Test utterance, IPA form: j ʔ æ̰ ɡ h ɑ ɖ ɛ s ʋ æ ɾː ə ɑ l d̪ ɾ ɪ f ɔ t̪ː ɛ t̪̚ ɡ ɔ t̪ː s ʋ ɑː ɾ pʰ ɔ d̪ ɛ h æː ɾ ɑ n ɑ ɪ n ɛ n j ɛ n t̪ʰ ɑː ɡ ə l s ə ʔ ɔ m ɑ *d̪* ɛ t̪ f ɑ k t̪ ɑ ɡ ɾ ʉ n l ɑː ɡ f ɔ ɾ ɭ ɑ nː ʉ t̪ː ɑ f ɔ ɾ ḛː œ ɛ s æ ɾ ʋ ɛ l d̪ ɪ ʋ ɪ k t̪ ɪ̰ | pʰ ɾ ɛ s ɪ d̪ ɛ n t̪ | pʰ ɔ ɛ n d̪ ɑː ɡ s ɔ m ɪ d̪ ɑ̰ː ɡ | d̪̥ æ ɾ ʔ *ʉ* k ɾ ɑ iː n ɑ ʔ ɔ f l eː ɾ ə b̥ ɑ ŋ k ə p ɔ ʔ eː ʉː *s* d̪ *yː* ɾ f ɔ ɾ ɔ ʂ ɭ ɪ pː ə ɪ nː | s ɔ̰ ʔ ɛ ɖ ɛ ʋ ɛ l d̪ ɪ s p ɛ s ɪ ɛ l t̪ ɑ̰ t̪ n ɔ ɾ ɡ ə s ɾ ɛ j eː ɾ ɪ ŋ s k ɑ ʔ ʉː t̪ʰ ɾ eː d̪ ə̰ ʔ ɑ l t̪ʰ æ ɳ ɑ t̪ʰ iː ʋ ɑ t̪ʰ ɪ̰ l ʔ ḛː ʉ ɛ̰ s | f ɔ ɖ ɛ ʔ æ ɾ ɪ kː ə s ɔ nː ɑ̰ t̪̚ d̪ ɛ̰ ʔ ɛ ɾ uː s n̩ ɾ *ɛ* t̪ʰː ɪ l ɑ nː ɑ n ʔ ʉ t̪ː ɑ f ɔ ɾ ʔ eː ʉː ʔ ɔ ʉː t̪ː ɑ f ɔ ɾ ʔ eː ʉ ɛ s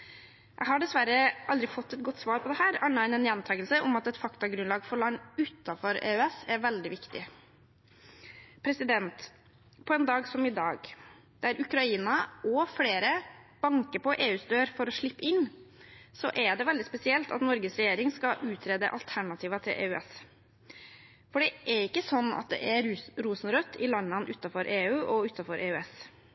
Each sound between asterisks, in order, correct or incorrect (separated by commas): incorrect, correct, correct, incorrect, incorrect